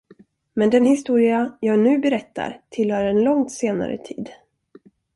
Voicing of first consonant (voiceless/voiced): voiced